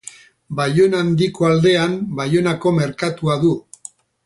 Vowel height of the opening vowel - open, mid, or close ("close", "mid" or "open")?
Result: open